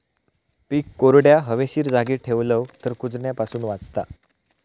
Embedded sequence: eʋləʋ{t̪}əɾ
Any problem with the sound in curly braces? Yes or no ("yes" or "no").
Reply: no